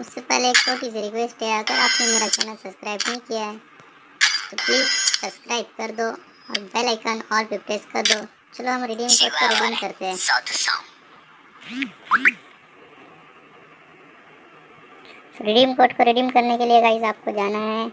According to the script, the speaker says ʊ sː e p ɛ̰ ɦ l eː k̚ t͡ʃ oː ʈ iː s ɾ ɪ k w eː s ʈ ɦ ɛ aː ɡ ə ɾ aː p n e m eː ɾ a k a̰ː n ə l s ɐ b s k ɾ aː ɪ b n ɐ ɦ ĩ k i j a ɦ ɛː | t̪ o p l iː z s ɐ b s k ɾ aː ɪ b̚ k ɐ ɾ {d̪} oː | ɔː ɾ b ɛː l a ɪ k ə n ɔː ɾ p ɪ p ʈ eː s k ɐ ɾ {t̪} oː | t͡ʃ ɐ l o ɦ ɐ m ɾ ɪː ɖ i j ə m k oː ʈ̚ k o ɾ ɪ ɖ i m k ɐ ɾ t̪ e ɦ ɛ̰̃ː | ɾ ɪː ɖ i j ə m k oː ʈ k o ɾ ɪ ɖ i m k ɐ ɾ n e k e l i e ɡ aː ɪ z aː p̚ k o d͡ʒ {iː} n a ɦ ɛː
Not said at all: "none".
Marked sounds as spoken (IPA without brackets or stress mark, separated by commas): d̪, d̪, aː